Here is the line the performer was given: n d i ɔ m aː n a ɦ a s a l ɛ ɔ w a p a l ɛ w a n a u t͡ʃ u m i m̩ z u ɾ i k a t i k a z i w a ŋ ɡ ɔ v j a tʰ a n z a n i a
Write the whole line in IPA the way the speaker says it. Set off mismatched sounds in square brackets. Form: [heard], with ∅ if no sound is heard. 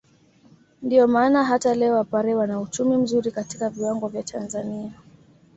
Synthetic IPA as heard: n d i ɔ m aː n a ɦ a [t] a l ɛ ɔ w a p a [ɾ] ɛ w a n a u t͡ʃ u m i m̩ z u ɾ i k a t i k a [v] i w a ŋ ɡ ɔ v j a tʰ a n z a n i a